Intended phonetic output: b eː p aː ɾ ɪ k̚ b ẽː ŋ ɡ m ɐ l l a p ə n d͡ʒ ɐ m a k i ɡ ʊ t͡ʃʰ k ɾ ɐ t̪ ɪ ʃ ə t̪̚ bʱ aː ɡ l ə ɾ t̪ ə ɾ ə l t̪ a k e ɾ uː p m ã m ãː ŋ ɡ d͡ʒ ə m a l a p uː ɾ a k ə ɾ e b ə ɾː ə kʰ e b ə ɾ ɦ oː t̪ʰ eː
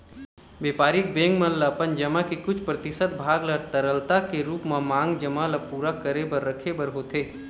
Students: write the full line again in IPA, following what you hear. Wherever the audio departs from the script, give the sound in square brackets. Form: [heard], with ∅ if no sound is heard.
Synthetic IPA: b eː p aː ɾ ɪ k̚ b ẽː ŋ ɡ m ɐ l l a p ə n d͡ʒ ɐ m a k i [k] ʊ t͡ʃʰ [p] ɾ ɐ t̪ ɪ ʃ ə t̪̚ bʱ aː ɡ l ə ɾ t̪ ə ɾ ə l t̪ a k e ɾ uː p m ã m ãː ŋ ɡ d͡ʒ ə m a l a p uː ɾ a k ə ɾ e b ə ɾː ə kʰ e b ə ɾ ɦ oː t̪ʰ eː